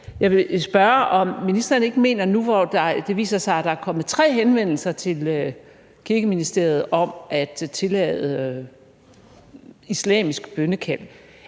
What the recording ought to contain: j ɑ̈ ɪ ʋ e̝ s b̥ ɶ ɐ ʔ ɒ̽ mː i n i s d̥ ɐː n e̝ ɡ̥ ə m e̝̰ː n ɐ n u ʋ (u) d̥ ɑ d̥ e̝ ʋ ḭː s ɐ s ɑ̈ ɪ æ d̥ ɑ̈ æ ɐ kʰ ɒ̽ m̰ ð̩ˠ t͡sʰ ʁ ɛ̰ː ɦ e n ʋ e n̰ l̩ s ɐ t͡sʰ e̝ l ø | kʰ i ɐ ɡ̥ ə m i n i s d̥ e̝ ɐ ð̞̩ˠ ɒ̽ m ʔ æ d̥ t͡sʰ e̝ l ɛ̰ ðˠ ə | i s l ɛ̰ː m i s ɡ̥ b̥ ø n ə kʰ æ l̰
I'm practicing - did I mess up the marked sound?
yes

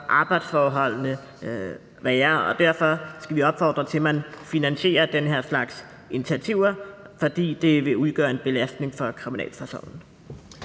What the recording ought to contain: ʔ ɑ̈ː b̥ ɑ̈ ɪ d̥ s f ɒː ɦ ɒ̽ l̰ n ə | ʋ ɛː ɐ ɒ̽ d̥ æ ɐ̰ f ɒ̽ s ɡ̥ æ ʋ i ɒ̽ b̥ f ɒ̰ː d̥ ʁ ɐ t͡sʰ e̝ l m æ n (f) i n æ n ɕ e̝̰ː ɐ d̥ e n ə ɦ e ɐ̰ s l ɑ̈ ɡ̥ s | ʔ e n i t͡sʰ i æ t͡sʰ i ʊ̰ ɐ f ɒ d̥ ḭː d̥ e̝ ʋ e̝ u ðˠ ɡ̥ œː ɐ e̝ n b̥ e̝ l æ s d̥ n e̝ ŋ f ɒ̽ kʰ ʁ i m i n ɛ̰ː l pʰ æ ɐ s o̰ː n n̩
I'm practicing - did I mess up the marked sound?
no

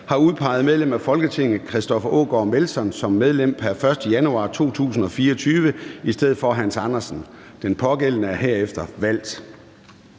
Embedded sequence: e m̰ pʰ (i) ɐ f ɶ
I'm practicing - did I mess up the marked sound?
yes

